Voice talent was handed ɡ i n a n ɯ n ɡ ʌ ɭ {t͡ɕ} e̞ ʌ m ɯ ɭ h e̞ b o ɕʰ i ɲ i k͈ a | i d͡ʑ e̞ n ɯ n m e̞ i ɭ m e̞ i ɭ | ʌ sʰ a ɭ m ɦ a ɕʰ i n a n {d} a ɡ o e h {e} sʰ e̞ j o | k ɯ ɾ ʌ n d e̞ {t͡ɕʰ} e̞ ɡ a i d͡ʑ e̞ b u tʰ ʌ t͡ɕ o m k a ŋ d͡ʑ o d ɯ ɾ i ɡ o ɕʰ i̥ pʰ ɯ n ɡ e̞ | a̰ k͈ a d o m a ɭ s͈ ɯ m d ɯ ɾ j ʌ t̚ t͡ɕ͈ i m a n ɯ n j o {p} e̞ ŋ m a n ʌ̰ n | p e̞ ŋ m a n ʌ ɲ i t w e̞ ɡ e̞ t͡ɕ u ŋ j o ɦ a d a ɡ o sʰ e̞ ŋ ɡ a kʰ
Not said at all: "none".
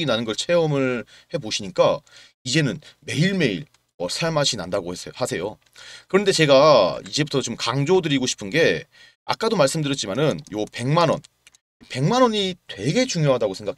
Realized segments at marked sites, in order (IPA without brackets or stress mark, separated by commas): t͡ɕʰ, d, a, t͡ɕ, p